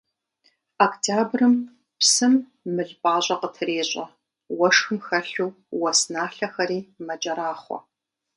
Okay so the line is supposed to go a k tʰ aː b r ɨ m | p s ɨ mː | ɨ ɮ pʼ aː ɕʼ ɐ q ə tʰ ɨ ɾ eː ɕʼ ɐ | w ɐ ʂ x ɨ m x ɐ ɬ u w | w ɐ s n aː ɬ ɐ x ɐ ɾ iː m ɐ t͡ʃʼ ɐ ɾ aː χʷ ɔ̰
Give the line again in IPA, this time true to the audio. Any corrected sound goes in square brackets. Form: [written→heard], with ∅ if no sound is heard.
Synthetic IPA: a k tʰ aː b r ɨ m | p s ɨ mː | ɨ ɮ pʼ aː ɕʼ ɐ q ə tʰ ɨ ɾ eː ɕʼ ɐ | w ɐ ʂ x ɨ m x ɐ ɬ u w | w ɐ s n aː ɬ ɐ x ɐ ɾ iː m ɐ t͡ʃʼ ɐ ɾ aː χʷ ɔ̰